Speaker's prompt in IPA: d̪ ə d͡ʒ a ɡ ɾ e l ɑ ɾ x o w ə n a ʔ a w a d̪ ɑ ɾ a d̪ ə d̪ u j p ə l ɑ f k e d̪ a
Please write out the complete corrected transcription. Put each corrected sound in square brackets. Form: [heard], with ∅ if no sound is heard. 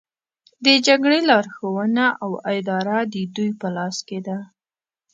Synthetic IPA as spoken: d̪ ə d͡ʒ a ɡ [ɽ] e l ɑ ɾ x o w ə n a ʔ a w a d̪ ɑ ɾ a d̪ ə d̪ u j p ə l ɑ [s] k e d̪ a